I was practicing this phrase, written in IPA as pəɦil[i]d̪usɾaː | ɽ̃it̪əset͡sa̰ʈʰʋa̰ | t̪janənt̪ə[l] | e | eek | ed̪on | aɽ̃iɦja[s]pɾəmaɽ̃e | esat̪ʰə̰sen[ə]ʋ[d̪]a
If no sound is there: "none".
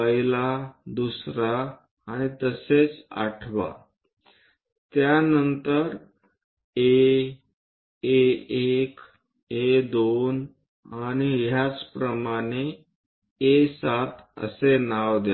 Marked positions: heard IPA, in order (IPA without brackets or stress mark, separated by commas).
a, ɾ, t͡s, a, d̪